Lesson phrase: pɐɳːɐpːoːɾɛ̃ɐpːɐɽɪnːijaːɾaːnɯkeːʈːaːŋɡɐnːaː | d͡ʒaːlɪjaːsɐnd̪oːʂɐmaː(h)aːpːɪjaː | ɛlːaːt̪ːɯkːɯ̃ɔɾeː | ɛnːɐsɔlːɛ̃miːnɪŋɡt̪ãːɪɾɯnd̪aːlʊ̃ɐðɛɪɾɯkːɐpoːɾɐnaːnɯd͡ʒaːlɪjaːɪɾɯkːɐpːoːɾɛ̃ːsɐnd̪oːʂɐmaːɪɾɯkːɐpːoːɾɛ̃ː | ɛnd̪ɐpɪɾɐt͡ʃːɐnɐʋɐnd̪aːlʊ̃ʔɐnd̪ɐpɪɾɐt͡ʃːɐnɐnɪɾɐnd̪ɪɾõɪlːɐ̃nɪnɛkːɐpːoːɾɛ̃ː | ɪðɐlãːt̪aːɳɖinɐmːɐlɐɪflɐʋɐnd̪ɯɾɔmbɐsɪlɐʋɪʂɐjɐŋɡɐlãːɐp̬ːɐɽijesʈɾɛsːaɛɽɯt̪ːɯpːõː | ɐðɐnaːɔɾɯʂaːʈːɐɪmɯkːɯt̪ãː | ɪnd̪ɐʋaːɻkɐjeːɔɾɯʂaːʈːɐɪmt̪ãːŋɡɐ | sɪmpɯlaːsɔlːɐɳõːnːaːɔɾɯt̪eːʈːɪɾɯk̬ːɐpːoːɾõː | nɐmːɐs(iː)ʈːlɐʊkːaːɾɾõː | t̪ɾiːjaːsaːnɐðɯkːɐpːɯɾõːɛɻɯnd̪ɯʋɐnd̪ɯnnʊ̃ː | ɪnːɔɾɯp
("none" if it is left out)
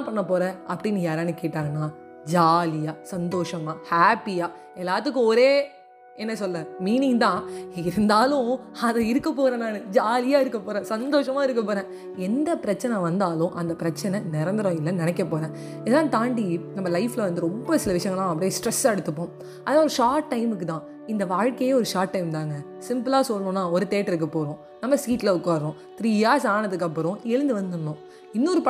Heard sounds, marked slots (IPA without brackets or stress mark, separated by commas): h, iː